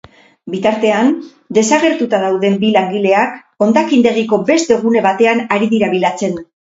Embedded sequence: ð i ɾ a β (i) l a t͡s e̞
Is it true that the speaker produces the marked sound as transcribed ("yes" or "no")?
yes